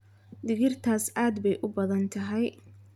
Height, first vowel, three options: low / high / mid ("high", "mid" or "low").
high